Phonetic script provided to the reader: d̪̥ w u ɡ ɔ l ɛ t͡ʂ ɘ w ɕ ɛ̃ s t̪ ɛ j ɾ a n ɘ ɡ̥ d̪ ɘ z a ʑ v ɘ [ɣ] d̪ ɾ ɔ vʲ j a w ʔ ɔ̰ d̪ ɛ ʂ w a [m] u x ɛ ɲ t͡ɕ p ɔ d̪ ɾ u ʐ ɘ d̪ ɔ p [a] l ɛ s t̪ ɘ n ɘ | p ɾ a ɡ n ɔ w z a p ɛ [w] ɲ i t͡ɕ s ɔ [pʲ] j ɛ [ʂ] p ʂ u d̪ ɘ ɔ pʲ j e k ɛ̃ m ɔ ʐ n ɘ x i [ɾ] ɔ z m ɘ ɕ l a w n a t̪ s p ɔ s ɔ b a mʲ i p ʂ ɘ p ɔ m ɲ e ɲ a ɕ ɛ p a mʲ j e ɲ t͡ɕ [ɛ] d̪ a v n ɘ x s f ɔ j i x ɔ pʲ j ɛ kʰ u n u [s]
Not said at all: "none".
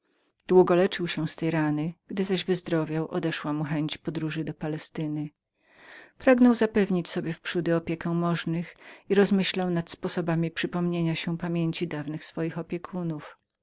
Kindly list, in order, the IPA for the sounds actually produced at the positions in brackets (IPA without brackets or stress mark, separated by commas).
z, m, a, v, bʲ, f, ɾ, i, f